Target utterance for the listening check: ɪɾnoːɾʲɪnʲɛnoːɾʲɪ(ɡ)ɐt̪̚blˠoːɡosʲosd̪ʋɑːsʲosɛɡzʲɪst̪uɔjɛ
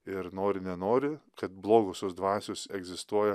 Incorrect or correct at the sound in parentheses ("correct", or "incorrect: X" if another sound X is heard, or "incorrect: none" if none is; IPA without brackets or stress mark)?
incorrect: k